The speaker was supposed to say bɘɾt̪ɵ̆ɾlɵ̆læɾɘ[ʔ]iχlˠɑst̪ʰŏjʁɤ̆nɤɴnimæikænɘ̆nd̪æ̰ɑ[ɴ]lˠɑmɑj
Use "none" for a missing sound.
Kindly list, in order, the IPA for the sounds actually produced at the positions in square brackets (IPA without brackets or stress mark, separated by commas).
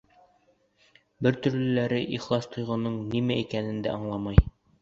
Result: ʔ, ɴ